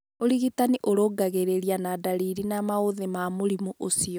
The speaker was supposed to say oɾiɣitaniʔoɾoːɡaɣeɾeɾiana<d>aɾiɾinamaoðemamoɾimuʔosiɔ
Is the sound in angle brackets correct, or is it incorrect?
correct